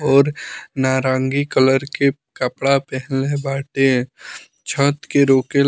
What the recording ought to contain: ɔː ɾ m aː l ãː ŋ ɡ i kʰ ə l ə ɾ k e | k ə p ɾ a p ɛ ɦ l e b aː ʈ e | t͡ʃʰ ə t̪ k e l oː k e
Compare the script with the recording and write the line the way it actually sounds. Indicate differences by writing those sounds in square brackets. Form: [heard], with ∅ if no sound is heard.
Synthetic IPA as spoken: ɔː ɾ [n] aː [ɾ] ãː ŋ ɡ i [k] ə l ə ɾ k e | k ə p [ɽ] a p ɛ ɦ l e b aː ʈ e | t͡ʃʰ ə t̪ k e [ɾ] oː k e